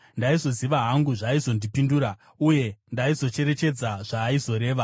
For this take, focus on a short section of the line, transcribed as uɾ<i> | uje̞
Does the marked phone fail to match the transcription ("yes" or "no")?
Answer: yes